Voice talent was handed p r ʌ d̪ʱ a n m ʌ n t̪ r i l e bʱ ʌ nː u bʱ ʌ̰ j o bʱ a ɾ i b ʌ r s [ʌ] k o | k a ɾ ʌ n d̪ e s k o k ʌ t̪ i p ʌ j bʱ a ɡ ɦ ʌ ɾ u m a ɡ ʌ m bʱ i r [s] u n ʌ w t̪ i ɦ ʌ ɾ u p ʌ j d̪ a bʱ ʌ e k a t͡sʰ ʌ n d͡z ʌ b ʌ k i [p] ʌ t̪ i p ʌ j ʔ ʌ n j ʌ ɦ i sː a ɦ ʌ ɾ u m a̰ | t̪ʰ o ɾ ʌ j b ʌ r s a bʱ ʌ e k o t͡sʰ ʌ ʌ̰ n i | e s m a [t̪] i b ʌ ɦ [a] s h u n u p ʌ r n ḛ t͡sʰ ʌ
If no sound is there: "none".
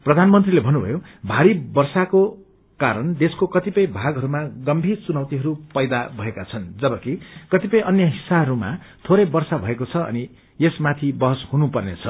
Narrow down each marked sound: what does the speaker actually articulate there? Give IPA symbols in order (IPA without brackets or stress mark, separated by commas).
a, t͡s, k, t̪ʰ, ʌ